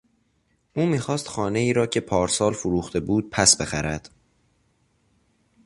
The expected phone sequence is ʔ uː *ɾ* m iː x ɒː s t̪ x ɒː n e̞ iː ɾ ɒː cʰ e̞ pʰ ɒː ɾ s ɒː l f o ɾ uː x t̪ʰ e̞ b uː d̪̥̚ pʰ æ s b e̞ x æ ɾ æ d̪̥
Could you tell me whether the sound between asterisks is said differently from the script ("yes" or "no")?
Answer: yes